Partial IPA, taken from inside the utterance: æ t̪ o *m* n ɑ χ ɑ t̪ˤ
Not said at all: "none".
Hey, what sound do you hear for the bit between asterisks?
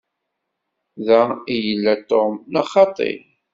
m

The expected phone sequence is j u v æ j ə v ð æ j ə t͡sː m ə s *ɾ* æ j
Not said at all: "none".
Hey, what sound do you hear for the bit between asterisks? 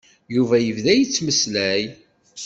l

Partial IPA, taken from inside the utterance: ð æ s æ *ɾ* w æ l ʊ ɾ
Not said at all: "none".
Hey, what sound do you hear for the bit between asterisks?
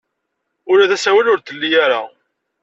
none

